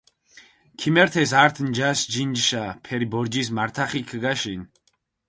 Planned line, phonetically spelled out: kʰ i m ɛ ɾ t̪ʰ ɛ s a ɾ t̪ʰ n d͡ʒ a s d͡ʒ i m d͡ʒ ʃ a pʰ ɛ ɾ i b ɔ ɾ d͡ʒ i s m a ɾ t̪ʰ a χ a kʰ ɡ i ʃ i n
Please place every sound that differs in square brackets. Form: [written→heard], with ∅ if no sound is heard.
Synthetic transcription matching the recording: kʰ i m ɛ ɾ t̪ʰ ɛ s a ɾ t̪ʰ n d͡ʒ a s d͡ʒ i [m→n] d͡ʒ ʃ a pʰ ɛ ɾ i b ɔ ɾ d͡ʒ i s m a ɾ t̪ʰ a χ [a→i] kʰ ɡ [i→a] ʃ i n